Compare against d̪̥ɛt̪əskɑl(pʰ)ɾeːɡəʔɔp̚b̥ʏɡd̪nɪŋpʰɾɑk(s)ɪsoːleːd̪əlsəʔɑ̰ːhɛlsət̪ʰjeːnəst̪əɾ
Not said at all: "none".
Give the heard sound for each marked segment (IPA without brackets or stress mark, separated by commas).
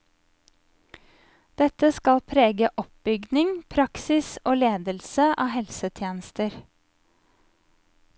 pʰ, s